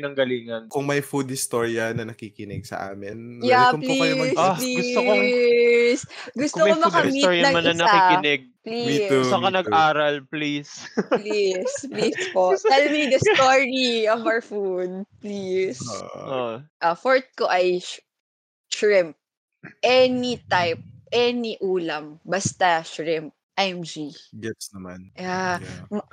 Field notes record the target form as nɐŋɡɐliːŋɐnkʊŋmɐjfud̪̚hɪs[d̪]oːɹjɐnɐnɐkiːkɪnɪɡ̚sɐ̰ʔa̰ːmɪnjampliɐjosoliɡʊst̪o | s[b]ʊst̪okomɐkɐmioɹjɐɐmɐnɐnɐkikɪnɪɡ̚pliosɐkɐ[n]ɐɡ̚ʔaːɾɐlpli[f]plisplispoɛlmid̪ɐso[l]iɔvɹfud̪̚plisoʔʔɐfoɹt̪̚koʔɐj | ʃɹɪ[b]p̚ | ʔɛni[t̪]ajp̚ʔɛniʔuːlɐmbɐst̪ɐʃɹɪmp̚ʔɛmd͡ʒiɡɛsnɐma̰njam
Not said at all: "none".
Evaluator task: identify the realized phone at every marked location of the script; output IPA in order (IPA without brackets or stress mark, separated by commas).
t̪, ɡ, n, s, ɹ, m, t̪